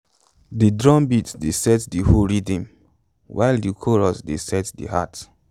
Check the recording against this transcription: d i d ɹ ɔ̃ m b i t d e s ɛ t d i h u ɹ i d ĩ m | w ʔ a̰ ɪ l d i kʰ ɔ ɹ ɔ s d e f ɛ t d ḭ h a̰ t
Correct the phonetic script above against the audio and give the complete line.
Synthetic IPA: d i d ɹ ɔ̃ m b i t d e s ɛ t d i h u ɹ i d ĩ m | w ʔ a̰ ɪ l d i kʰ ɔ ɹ ɔ s d e s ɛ t d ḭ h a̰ t